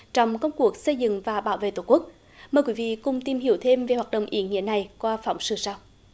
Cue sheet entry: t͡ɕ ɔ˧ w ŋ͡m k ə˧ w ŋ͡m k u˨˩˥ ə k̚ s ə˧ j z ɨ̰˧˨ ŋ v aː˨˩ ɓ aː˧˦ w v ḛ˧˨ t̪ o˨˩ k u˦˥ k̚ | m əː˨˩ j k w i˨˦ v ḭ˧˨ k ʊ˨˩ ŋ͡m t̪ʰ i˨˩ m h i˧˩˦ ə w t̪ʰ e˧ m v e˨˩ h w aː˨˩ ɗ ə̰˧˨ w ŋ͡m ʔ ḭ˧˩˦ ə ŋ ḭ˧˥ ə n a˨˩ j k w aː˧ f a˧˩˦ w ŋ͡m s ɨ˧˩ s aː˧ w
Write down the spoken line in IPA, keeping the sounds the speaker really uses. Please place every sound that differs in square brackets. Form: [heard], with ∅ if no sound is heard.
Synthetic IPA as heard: t͡ɕ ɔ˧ w ŋ͡m k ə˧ w ŋ͡m k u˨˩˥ ə k̚ s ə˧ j z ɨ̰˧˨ ŋ v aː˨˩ ɓ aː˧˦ w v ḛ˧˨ t̪ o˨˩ k u˦˥ k̚ | m əː˨˩ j k w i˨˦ v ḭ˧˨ k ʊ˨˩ ŋ͡m [t̪] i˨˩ m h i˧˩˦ ə w t̪ʰ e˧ m v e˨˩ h w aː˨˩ ɗ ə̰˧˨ w ŋ͡m ʔ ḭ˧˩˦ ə ŋ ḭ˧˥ ə n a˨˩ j k w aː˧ f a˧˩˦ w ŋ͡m s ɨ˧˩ s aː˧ w